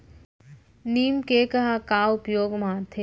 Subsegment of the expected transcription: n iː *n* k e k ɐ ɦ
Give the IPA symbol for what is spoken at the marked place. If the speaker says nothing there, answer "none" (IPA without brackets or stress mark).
m